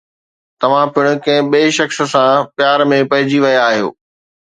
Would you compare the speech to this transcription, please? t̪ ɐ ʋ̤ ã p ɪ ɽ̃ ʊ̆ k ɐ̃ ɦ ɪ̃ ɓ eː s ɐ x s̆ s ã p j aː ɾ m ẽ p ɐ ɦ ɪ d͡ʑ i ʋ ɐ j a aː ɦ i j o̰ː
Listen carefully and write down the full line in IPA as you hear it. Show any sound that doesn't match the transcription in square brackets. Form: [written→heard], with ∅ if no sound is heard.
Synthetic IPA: t̪ ɐ ʋ̤ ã p ɪ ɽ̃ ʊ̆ k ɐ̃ ɦ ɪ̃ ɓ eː [s→ʃ] ɐ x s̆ s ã p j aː ɾ m ẽ p ɐ ɦ ɪ d͡ʑ i ʋ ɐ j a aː ɦ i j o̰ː